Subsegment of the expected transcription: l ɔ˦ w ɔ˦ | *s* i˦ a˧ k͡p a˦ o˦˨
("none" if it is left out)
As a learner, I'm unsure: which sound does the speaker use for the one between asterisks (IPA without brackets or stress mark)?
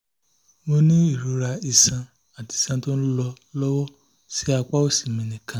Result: s